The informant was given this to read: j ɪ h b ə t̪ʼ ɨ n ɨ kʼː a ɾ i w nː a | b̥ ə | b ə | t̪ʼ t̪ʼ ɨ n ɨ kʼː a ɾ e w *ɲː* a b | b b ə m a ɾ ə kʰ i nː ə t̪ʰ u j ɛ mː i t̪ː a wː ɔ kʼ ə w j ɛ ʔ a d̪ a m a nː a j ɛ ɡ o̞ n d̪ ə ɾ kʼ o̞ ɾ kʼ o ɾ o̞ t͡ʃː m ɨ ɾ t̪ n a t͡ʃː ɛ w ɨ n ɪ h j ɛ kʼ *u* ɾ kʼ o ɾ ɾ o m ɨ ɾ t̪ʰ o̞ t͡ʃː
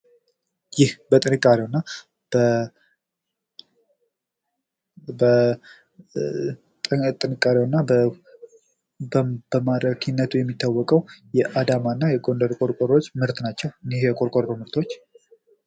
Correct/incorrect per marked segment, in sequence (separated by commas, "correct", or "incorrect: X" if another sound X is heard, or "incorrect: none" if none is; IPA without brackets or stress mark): incorrect: nː, incorrect: o